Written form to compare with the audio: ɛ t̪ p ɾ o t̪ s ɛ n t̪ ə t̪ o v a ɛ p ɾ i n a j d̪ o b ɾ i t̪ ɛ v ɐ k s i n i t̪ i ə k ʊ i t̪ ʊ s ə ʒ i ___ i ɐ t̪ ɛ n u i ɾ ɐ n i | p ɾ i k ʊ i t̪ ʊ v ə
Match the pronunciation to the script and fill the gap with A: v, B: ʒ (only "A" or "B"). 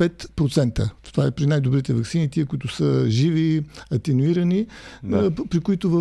A